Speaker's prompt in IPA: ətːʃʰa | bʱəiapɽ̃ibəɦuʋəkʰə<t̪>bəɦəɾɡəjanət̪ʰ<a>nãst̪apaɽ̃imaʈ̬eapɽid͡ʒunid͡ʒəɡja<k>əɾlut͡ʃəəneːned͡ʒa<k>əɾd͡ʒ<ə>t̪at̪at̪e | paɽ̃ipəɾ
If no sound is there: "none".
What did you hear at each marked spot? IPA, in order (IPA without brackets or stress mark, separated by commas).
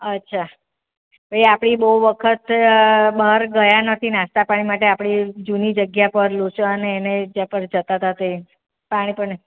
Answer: t̪, i, p, p, ə